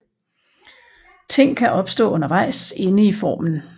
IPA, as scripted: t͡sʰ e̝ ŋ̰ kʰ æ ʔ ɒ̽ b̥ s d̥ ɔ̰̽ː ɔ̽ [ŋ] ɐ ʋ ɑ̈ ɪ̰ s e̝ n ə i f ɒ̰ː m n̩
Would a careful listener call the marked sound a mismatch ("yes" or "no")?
yes